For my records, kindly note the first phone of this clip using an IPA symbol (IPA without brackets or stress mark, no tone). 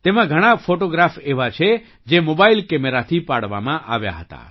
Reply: t̪